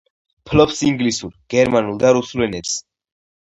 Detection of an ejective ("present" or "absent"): absent